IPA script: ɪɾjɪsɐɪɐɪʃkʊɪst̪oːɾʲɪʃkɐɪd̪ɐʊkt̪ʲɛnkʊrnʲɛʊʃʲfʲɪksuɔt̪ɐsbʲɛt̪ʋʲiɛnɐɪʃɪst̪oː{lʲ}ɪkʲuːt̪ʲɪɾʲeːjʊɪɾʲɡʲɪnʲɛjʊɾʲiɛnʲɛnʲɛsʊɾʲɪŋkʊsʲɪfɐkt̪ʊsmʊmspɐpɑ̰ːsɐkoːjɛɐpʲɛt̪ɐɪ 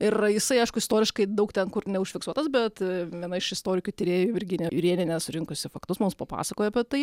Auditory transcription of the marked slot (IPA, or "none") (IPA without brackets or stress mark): ɾʲ